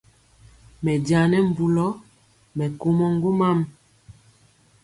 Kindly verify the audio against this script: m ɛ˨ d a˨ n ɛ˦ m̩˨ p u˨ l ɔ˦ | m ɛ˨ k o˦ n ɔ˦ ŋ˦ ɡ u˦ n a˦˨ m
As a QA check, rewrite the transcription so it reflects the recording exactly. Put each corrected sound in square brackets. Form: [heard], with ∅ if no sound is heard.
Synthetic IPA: m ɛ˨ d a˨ n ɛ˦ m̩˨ [b] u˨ l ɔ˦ | m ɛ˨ k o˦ [m] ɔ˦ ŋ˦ ɡ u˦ [m] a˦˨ m